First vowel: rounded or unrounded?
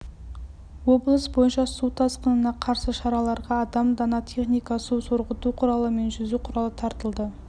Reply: rounded